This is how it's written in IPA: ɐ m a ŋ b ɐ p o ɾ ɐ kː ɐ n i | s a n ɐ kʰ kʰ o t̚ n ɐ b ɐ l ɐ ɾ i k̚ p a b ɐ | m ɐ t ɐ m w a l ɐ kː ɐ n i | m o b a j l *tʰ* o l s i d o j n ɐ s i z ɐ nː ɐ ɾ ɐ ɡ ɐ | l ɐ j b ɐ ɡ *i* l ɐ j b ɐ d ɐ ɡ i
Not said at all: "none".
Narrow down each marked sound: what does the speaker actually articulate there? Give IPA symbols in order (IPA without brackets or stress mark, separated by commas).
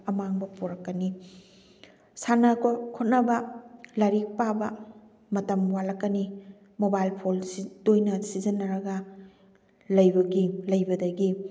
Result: pʰ, i